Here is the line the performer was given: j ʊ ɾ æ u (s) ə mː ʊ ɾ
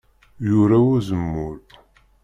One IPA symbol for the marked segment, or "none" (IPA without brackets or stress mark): z